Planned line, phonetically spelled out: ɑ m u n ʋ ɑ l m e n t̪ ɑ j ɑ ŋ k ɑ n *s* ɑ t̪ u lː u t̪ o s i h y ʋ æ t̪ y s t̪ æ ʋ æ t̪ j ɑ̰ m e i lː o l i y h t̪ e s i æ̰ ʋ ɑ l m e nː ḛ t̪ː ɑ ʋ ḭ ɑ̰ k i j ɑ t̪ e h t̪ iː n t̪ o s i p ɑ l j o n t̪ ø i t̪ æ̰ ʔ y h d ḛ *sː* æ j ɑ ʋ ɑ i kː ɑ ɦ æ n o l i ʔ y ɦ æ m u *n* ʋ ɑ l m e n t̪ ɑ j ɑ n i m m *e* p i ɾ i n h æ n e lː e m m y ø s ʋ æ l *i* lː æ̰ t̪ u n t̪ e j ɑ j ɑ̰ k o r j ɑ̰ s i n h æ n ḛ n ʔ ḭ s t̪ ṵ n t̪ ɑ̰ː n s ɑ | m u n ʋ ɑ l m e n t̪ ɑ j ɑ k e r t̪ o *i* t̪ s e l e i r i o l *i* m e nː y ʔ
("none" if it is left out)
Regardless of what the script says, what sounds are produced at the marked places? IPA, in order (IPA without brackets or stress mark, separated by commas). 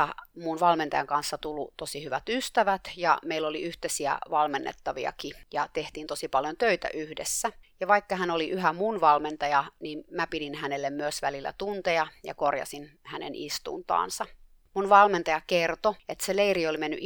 sː, sː, n, æ, i, e, i